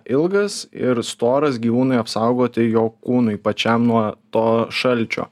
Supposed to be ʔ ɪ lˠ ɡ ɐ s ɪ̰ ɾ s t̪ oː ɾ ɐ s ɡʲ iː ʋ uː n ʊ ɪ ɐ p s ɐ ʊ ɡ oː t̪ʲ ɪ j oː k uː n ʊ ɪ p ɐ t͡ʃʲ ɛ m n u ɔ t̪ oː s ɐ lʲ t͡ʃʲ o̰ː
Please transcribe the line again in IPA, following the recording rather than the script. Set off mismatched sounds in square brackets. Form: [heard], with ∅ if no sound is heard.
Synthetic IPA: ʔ ɪ lˠ ɡ ɐ s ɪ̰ ɾ s t̪ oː ɾ ɐ s ɡʲ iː ʋ uː n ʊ ɪ ɐ p s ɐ ʊ ɡ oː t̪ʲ ɪ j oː k uː n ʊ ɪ p ɐ t͡ʃʲ ɛ m n u ɔ t̪ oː [ʃ] ɐ lʲ t͡ʃʲ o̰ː